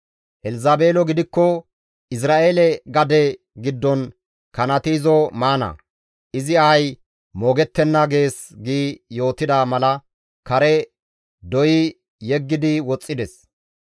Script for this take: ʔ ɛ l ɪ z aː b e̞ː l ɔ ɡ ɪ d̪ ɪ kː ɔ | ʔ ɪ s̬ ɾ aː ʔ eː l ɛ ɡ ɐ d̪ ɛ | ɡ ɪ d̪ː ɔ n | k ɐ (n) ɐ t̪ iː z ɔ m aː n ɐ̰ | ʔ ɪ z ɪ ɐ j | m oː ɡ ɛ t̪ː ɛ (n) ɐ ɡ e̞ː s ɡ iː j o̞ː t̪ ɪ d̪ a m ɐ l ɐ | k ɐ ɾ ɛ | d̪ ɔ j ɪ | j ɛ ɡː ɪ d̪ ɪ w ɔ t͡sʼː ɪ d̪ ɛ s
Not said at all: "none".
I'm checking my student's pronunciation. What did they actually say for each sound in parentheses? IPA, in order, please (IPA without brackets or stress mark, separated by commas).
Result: n, nː